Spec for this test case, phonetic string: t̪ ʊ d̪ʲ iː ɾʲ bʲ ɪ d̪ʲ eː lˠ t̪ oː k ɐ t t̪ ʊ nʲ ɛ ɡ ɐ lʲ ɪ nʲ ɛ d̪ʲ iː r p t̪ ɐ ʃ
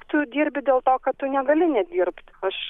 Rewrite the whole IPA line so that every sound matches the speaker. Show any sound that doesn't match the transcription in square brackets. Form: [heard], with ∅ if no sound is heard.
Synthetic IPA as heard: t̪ ʊ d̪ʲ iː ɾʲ bʲ ɪ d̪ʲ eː lˠ t̪ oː k ɐ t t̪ ʊ nʲ ɛ ɡ ɐ lʲ ɪ nʲ ɛ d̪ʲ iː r p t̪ ɐ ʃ